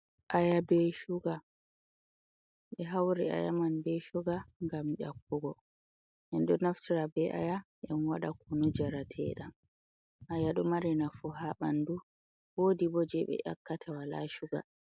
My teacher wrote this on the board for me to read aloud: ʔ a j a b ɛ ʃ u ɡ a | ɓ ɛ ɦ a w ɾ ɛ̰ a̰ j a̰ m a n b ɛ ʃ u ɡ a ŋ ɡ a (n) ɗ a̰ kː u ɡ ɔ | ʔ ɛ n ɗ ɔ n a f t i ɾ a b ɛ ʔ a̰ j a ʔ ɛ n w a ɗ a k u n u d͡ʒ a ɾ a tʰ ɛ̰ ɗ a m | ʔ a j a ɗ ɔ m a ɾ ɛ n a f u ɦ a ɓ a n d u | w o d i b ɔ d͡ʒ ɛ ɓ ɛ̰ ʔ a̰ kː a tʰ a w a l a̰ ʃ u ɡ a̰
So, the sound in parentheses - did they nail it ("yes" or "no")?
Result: no